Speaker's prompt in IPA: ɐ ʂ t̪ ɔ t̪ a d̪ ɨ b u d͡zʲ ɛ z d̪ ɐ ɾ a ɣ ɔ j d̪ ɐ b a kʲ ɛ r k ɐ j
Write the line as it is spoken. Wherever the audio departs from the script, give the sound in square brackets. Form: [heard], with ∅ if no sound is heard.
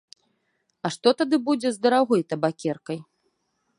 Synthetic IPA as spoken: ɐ ʂ t̪ ɔ t̪ a d̪ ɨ b u d͡zʲ ɛ z d̪ ɐ ɾ a ɣ ɔ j [t̪] ɐ b a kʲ ɛ r k ɐ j